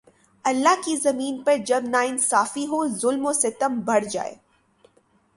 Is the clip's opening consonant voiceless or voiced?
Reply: voiced